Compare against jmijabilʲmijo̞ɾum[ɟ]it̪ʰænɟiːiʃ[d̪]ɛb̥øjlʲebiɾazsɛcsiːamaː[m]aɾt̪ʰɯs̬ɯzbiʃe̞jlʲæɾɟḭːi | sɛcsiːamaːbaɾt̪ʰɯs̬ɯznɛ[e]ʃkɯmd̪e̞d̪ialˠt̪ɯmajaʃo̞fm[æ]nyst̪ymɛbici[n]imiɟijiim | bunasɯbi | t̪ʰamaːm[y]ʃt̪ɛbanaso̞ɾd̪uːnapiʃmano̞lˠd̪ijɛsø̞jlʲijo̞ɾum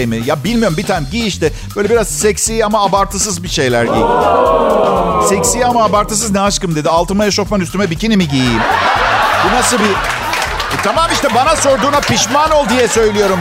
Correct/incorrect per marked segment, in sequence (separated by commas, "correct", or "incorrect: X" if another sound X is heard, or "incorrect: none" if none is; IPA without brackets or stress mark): incorrect: b, incorrect: t̪, incorrect: b, incorrect: a, incorrect: a, correct, incorrect: i